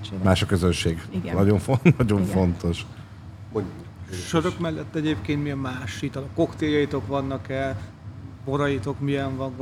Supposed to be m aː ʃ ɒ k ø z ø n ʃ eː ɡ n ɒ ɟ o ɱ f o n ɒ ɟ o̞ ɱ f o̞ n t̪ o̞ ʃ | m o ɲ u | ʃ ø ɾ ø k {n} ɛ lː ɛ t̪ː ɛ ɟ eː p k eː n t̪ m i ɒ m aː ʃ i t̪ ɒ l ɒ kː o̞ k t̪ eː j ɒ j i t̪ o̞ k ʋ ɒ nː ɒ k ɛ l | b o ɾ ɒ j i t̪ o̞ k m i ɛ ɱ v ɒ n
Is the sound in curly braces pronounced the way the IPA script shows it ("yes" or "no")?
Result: no